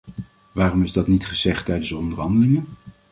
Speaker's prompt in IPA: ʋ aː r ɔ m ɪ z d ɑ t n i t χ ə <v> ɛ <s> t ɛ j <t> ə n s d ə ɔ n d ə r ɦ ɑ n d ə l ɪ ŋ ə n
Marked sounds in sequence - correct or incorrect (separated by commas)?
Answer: incorrect, incorrect, incorrect